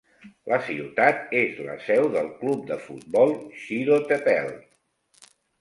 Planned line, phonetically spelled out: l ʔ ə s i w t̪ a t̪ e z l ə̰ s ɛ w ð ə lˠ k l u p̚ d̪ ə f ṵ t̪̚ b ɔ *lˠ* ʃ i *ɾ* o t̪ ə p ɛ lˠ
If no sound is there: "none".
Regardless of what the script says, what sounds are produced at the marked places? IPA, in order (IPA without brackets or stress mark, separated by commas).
lˠ, ɾ